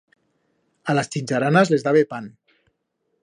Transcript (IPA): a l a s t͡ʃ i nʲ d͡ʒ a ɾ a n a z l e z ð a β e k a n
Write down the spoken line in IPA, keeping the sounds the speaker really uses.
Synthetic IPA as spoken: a l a s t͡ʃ i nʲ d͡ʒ a ɾ a n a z l e z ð a β e p a n

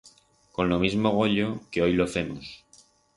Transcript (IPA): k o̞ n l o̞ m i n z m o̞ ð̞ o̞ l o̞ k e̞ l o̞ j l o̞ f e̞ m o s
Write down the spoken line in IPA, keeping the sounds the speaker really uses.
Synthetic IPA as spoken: k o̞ n l o̞ m i z m o̞ ɣ̞ o̞ ʎ o̞ k e̞ o̞ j l o̞ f e̞ m o s

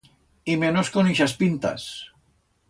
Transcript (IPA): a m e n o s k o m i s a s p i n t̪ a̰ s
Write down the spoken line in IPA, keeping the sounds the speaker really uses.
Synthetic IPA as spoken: i m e n o s k o n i ʃ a s p i n t̪ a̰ s

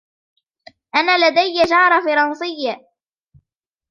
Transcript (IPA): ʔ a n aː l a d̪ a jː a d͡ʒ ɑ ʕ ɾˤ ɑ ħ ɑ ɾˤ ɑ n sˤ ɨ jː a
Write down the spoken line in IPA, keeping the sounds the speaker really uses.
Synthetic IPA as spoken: ʔ a n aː l a d̪ a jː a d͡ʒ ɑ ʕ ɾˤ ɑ f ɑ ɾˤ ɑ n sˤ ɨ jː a

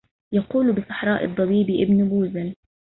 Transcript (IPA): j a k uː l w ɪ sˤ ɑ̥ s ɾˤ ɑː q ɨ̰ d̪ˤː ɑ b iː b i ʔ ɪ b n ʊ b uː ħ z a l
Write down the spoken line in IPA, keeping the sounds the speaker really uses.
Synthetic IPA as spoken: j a q uː l b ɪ sˤ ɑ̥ ħ ɾˤ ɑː ʔ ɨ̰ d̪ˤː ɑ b iː b i ʔ ɪ b n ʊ b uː z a l

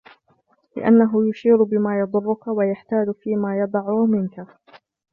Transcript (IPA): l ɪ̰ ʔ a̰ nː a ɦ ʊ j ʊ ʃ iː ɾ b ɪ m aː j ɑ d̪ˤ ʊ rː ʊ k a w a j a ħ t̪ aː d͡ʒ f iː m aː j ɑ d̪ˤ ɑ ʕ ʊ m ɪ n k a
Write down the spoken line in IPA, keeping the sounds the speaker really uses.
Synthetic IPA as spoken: l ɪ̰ ʔ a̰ nː a ɦ ʊ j ʊ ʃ iː ɾ b ɪ m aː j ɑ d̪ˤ ʊ rː ʊ k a w a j a ħ t̪ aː d͡ʒ f iː m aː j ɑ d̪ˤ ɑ ʕ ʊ m ɪ n k a

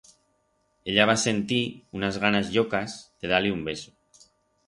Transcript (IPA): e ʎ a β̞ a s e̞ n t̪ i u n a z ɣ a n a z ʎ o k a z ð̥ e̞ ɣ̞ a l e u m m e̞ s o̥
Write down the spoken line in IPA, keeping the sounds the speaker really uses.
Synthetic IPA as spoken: e ʎ a β̞ a s e̞ n t̪ i u n a z ɣ a n a z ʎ o k a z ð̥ e̞ ð̞ a l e u m b e̞ s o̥

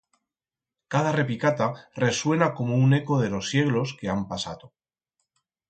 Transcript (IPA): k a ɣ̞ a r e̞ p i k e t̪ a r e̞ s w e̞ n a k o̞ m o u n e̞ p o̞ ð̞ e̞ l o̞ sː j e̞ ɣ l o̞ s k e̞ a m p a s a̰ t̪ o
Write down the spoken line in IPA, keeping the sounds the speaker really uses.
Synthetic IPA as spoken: k a ð̞ a r e̞ p i k a t̪ a r e̞ s w e̞ n a k o̞ m o u n e̞ k o̞ ð̞ e̞ l o̞ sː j e̞ ɣ l o̞ s k e̞ a m p a s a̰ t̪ o

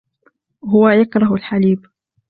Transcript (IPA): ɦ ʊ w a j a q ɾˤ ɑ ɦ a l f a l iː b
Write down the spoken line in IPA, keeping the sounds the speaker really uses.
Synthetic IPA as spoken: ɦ ʊ w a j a k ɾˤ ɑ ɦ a l ħ a l iː b

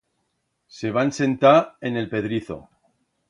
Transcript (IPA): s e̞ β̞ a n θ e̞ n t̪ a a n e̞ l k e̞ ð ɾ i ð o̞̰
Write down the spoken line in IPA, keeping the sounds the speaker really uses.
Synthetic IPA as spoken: s e̞ β̞ a n s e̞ n t̪ a e n e̞ l p e̞ ð ɾ i θ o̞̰

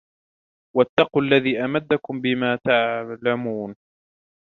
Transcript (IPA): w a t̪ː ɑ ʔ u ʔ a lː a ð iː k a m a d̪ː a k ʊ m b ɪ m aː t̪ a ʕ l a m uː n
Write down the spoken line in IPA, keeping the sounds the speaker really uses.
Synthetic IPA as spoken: w a t̪ː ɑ q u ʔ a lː a ð iː ʔ a m a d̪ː a k ʊ m b ɪ m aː t̪ a ʕ l a m uː n

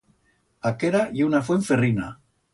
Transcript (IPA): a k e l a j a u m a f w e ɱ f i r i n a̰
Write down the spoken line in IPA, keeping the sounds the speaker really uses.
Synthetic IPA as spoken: a k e ɾ a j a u n a f w e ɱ f e r i n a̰

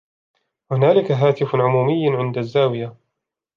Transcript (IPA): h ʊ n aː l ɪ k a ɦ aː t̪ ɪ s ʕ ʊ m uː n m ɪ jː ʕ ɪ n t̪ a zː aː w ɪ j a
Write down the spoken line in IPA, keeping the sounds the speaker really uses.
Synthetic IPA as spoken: h ʊ n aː l ɪ k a ɦ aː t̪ ɪ f ʕ ʊ m uː m ɪ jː ʕ ɪ n d̪ a zː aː w ɪ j a

